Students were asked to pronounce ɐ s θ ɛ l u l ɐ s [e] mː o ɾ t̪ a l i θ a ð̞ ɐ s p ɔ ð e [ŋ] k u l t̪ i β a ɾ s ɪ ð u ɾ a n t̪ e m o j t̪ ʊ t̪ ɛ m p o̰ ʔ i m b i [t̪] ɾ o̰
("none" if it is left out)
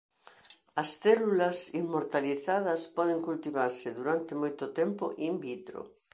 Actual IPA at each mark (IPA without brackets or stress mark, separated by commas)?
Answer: i, ŋ, t̪